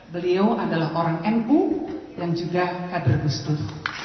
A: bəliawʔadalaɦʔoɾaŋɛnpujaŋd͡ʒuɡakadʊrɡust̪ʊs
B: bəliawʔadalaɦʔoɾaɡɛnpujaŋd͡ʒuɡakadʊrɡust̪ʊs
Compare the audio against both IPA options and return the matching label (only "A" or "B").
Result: A